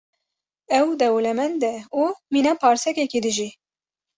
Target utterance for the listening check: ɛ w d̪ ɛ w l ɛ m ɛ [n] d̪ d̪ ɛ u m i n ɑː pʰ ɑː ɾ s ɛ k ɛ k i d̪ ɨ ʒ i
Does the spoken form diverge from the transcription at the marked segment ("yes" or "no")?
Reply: no